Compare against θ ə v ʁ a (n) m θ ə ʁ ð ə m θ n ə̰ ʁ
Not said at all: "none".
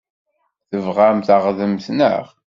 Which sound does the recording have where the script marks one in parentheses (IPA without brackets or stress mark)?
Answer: none